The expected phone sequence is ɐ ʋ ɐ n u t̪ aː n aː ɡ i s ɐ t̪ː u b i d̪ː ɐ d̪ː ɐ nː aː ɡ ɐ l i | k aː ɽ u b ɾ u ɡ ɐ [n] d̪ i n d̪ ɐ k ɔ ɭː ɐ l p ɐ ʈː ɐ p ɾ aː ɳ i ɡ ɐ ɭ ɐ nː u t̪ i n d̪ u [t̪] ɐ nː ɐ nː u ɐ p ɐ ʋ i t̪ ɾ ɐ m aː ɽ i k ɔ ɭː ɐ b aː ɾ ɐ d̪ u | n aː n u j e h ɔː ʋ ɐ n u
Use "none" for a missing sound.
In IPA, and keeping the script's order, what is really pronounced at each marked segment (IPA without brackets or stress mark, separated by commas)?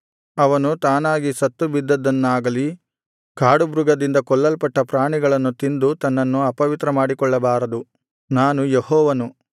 none, t̪